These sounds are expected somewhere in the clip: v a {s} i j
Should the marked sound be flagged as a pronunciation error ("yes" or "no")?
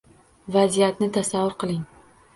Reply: yes